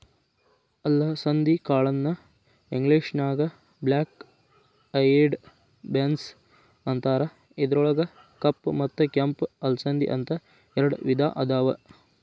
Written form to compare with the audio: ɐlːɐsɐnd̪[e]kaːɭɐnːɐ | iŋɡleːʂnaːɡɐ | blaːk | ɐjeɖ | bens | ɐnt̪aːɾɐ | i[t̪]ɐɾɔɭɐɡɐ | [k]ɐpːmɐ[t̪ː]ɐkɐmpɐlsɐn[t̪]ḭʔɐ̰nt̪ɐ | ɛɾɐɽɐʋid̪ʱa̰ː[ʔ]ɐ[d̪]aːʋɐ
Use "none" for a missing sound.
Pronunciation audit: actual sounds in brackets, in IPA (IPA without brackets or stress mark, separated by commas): i, d̪, k, t̪ː, d̪, ʔ, d̪